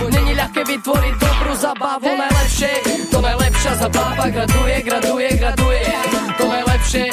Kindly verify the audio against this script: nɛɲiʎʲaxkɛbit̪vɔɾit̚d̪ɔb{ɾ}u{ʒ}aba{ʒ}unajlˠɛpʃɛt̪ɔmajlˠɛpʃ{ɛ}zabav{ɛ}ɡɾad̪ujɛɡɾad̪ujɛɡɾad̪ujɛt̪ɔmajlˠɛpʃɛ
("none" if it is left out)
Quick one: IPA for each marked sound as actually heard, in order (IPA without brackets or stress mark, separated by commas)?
ɾ, z, v, a, a